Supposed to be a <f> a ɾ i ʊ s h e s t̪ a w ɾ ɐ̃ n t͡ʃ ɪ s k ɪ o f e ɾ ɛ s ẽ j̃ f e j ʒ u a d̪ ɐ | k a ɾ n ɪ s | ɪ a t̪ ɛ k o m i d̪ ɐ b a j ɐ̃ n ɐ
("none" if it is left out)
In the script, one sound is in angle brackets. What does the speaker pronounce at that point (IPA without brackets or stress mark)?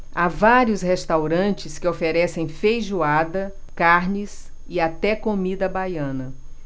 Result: v